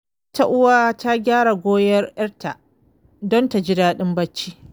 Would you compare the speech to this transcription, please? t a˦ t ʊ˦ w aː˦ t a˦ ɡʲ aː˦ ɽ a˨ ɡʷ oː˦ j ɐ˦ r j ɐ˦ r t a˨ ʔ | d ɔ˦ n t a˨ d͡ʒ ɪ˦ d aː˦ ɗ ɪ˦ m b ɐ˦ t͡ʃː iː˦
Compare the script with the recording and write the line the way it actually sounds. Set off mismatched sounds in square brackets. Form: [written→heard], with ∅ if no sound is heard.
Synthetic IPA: t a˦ [t→ʔ] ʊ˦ w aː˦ t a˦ ɡʲ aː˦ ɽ a˨ ɡʷ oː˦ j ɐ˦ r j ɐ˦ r t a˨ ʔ | d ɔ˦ n t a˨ d͡ʒ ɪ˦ d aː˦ ɗ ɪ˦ m b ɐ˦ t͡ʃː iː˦

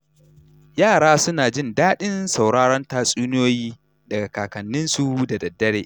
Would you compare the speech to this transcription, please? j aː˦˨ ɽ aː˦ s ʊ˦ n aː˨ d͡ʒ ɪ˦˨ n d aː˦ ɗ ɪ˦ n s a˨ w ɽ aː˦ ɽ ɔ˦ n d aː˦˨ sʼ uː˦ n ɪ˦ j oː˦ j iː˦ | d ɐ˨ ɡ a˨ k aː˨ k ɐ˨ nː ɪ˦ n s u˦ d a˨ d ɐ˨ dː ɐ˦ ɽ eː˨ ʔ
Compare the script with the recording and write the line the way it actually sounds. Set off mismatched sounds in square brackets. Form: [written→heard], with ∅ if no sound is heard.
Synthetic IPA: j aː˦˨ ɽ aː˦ s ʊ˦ n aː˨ d͡ʒ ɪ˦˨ n d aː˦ ɗ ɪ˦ n s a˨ w ɽ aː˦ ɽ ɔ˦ n [d→t] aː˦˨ sʼ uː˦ n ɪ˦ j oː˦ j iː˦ | d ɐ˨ ɡ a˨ k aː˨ k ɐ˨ nː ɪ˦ n s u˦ d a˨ d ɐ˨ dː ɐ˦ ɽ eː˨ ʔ

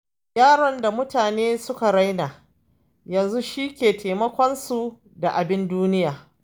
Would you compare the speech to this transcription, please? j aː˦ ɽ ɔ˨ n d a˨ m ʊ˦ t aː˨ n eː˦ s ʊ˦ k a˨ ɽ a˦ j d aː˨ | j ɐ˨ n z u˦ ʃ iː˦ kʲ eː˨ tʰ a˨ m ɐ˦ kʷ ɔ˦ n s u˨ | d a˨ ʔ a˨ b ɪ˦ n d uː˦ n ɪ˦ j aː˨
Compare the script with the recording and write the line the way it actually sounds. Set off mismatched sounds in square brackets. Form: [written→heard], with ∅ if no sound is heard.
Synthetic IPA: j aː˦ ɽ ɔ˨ n d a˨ m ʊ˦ t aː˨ n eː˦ s ʊ˦ k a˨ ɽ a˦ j [d→n] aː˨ | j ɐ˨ n z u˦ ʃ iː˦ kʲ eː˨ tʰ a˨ m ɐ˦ kʷ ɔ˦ n s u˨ | d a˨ ʔ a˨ b ɪ˦ n d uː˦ n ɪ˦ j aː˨

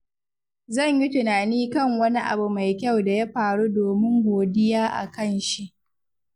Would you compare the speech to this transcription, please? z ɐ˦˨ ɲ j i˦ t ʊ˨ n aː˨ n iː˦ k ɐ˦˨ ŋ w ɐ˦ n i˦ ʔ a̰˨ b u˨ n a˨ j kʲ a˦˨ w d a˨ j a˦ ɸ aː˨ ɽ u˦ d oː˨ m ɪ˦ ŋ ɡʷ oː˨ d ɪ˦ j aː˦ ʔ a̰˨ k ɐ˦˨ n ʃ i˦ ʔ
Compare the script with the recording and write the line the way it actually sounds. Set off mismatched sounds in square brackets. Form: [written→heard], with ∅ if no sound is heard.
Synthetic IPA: z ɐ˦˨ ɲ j i˦ t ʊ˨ n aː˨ n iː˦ k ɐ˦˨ ŋ w ɐ˦ n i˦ ʔ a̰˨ b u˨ [n→m] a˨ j kʲ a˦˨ w d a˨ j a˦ ɸ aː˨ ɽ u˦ d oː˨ m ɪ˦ ŋ ɡʷ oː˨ d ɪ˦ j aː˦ ʔ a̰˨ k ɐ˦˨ n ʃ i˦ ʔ

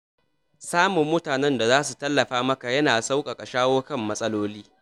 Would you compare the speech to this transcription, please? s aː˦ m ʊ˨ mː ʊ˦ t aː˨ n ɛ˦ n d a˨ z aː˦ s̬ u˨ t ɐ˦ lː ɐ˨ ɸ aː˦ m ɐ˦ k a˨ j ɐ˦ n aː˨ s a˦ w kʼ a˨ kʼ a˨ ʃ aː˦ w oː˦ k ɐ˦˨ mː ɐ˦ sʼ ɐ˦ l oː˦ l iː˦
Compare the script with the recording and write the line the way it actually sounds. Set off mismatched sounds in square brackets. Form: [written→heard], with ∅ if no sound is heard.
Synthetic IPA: s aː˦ m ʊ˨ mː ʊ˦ t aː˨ n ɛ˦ n d a˨ z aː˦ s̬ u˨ t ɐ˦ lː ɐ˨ ɸ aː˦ m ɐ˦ k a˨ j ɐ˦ n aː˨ s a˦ w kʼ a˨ kʼ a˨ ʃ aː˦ w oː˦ k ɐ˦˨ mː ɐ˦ sʼ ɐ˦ l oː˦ l iː˦

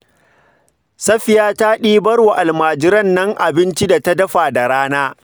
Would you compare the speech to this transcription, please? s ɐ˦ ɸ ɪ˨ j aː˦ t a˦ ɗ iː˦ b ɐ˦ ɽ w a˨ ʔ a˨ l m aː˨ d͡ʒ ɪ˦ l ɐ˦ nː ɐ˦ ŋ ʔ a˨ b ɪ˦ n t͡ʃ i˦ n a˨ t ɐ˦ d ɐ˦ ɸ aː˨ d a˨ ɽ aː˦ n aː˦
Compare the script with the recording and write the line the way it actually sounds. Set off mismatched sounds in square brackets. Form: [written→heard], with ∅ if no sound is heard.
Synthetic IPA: s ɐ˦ ɸ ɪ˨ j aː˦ t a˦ ɗ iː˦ b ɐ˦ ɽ w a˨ ʔ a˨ l m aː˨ d͡ʒ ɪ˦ [l→ɾ] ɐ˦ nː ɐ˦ ŋ ʔ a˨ b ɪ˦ n t͡ʃ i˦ [n→d] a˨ t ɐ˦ d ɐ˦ ɸ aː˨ d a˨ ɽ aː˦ n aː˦

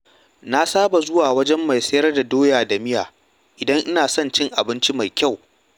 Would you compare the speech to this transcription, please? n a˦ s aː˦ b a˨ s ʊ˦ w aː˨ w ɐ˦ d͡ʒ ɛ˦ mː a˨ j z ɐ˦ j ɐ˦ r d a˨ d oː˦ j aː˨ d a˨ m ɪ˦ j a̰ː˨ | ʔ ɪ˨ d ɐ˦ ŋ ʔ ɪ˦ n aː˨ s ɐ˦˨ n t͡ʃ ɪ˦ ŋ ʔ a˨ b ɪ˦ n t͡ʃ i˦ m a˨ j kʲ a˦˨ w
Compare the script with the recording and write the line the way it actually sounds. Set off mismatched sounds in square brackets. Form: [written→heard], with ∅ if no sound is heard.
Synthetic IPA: n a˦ s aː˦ b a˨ [s→z] ʊ˦ w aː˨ w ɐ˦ d͡ʒ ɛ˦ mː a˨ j [z→s] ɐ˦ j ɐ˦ r d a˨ d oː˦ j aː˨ d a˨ m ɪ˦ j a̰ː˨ | ʔ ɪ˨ d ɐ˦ ŋ ʔ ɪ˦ n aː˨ s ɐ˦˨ n t͡ʃ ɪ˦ ŋ ʔ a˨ b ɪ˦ n t͡ʃ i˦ m a˨ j kʲ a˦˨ w

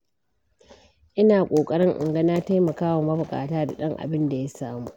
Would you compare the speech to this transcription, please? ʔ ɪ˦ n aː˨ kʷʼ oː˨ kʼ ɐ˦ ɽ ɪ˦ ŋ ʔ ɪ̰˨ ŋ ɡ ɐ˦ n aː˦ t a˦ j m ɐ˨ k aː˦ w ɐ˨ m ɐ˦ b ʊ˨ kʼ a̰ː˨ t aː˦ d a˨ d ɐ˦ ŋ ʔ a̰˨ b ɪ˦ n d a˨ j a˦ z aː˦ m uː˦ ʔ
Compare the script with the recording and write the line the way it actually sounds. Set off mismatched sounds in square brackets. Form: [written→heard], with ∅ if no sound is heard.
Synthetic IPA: ʔ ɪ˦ n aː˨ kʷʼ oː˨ kʼ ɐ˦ ɽ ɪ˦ ŋ ʔ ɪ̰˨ ŋ ɡ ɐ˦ n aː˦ t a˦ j m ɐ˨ k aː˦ w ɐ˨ m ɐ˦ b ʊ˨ kʼ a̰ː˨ t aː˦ d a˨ [d→ɗ] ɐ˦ ŋ ʔ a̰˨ b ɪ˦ n d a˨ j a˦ [z→s] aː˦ m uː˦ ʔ

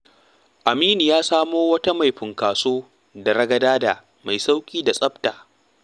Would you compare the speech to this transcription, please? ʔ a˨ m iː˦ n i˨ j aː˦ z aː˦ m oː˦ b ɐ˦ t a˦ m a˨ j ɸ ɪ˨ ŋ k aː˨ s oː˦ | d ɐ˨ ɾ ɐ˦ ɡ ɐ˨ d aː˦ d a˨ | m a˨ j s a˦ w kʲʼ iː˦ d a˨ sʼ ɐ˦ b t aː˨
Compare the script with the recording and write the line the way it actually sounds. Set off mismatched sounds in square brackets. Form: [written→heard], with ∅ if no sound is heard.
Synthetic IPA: ʔ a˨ m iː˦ n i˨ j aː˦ [z→s] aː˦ m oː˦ [b→w] ɐ˦ t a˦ m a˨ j ɸ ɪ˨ ŋ k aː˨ s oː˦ | d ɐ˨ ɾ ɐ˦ ɡ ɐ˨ d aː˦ d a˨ | m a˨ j s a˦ w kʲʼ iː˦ d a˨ sʼ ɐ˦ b t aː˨

